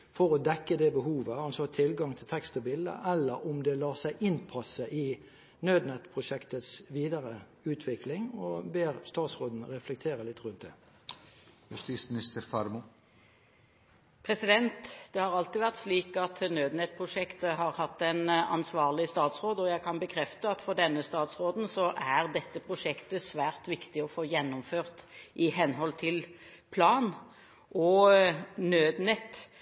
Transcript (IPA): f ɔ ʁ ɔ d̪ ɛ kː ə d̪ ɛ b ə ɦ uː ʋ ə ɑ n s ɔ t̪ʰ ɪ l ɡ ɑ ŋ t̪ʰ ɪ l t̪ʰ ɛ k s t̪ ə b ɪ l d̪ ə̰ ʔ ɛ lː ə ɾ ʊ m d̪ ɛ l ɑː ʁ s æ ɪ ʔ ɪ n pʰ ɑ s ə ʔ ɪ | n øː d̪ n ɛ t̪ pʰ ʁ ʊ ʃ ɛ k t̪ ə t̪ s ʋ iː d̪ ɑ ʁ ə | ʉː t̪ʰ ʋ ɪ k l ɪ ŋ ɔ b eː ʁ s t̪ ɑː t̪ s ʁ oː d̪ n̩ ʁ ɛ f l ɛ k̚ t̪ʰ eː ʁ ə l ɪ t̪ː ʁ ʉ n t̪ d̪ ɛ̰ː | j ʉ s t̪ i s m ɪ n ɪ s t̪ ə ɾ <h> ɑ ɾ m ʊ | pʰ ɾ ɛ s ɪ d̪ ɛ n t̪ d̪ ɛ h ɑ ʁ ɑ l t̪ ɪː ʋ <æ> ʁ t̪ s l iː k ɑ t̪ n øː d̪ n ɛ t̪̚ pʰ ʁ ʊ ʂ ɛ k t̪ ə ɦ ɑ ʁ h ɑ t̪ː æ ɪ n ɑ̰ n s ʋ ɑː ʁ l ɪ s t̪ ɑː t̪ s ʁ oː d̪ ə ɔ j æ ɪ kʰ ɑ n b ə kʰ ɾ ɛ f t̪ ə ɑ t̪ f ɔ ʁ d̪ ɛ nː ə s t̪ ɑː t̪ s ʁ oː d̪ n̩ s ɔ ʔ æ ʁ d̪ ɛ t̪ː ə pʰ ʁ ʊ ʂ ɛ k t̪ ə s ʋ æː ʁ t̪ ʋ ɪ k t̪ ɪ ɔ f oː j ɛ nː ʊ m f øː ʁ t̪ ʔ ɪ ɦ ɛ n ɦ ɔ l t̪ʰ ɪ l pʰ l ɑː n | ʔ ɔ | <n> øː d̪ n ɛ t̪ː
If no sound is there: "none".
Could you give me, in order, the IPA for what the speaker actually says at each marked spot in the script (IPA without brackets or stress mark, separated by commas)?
f, æ, n